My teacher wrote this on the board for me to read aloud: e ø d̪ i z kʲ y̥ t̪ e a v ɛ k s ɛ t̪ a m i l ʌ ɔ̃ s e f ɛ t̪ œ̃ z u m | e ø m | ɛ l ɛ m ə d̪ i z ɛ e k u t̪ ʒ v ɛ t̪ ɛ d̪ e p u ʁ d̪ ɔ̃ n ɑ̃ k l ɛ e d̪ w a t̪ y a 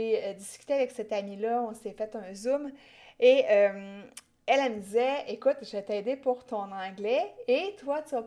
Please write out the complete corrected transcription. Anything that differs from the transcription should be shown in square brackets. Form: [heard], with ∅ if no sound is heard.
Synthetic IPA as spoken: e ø d̪ i [s] kʲ y̥ t̪ e a v ɛ k s ɛ t̪ a m i l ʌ ɔ̃ s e f ɛ t̪ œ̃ z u m | e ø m | ɛ l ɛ m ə d̪ i z ɛ e k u t̪ ʒ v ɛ t̪ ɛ d̪ e p u ʁ [t̪] ɔ̃ n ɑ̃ [ɡ] l ɛ e [t̪] w a t̪ y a